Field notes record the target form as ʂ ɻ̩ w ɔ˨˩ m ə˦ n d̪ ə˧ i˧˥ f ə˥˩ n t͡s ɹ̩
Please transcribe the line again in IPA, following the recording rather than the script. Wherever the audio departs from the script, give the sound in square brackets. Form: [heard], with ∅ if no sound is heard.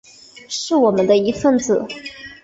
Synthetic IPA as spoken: ʂ ɻ̩ w ɔ˨˩ m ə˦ n d̪ ə˧ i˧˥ f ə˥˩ n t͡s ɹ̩